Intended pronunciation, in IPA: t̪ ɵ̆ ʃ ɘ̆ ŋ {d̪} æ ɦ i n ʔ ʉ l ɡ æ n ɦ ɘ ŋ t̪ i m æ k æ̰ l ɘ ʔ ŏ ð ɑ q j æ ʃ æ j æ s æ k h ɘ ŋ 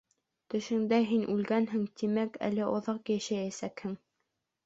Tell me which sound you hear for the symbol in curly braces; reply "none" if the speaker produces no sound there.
d̪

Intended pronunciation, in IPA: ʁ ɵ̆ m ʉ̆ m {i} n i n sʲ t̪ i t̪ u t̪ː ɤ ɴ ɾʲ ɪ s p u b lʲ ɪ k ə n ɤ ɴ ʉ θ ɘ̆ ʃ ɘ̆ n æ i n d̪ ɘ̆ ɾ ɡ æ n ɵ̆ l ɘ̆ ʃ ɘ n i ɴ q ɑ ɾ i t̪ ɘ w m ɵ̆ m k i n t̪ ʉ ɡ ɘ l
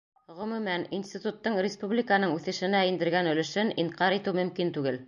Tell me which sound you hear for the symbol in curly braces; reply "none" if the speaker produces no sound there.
æ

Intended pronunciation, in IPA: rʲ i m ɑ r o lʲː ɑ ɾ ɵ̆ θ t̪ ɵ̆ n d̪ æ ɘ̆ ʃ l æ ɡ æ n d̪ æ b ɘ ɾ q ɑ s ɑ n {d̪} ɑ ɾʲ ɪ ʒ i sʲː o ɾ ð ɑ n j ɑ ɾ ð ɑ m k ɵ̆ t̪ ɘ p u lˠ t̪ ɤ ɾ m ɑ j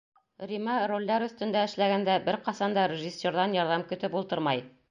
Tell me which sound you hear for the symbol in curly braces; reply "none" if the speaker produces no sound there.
d̪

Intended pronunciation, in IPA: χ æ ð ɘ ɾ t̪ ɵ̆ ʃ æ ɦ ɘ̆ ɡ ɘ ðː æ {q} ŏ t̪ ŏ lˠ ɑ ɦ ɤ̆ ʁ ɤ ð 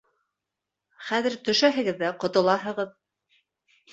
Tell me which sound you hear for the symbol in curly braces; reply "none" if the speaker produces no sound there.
q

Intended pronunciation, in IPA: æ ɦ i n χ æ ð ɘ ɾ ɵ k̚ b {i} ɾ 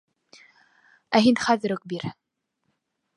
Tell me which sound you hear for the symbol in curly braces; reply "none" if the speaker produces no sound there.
i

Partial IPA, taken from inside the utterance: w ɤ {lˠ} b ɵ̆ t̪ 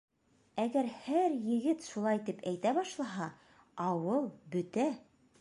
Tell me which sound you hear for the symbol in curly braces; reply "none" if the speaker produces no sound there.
lˠ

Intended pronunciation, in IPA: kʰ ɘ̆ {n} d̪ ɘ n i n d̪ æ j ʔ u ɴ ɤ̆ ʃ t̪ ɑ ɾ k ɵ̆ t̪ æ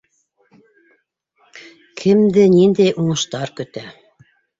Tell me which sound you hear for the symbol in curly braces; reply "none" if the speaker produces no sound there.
m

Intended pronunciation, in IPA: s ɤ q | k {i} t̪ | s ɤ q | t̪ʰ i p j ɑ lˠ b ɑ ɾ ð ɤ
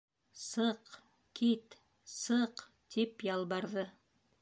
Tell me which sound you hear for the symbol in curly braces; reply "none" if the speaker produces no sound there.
i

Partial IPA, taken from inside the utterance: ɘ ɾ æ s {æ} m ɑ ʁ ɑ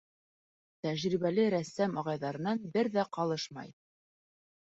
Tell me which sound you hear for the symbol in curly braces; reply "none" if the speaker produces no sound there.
æ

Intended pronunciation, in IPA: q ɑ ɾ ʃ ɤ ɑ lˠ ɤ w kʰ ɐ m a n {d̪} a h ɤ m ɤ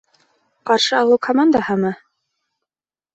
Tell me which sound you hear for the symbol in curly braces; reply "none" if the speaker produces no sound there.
d̪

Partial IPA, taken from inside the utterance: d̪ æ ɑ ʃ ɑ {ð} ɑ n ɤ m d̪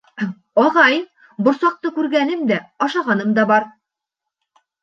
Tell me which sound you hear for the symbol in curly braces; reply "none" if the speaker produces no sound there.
ʁ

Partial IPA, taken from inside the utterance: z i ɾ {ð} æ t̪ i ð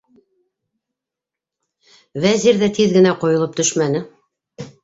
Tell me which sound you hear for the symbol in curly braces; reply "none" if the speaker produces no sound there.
ð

